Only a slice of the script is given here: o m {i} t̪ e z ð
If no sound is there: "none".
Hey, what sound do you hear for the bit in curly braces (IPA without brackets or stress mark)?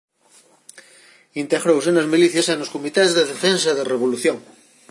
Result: i